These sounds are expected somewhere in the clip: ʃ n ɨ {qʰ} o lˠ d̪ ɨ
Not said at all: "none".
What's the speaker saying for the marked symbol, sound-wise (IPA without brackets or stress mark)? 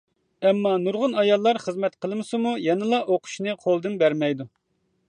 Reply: qʰ